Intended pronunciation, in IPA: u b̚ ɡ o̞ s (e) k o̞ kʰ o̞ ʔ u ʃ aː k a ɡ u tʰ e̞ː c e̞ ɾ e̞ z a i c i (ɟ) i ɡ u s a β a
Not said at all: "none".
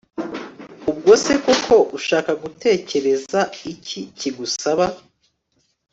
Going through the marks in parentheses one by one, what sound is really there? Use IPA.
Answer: e, c

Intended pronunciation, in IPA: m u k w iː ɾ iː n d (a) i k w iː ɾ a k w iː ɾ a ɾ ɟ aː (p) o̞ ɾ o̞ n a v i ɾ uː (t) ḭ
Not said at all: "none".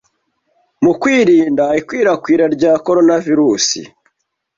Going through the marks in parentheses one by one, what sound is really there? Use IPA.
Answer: a, k, s

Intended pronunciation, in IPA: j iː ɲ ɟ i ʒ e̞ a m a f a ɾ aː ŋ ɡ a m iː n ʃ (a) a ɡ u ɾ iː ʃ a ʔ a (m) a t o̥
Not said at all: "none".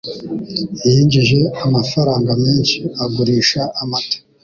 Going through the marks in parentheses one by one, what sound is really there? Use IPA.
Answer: i, m

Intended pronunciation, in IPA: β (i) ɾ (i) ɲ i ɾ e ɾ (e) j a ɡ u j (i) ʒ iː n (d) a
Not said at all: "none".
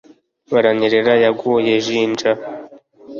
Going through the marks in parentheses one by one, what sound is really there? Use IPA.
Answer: a, a, a, e, d͡ʒ

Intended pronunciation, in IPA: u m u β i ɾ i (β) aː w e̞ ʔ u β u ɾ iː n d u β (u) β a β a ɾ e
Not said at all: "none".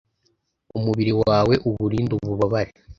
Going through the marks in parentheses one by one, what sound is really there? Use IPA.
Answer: w, u

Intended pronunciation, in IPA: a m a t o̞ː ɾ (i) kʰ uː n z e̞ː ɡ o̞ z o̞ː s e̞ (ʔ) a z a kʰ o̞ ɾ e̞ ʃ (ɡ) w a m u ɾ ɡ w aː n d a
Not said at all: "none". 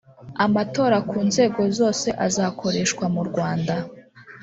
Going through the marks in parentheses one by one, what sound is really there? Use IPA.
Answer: a, ʔ, k

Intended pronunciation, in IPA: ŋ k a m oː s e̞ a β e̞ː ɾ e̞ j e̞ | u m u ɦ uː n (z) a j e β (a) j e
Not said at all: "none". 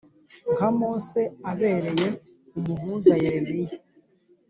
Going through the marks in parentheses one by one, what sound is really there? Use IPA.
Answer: z, i

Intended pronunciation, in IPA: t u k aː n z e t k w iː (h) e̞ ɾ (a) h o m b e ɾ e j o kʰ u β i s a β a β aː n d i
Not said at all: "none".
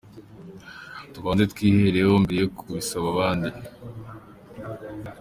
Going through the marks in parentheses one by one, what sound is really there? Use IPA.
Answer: h, e

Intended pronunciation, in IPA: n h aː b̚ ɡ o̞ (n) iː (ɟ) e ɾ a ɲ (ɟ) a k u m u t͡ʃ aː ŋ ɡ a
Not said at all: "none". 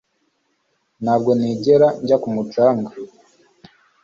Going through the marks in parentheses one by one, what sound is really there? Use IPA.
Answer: n, ɟ, ɟ

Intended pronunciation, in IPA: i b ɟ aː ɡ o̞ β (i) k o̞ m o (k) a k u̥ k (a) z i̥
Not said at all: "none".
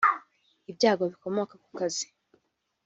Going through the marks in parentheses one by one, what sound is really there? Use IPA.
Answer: i, k, a

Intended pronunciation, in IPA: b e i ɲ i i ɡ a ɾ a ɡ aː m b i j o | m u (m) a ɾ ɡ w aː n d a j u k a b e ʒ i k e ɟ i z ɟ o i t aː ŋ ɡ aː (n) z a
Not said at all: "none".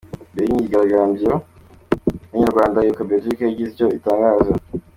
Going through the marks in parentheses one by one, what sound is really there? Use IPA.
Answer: ɲ, none

